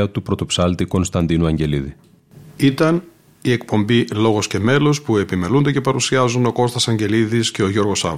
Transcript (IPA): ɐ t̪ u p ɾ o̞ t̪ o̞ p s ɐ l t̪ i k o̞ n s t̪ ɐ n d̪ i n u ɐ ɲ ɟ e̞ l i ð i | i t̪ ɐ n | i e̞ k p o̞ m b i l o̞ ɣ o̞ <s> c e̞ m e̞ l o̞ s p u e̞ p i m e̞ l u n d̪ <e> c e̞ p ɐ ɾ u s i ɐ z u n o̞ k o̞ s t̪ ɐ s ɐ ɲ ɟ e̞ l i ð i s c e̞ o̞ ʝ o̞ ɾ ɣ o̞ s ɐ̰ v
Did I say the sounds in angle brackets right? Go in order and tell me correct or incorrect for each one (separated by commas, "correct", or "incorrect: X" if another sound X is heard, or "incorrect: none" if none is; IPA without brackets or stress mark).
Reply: correct, correct